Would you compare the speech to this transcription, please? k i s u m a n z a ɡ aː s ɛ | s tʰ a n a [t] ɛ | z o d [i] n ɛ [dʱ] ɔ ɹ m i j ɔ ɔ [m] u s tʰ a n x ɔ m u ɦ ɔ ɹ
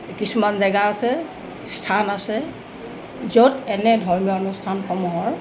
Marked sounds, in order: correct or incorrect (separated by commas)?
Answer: incorrect, incorrect, correct, incorrect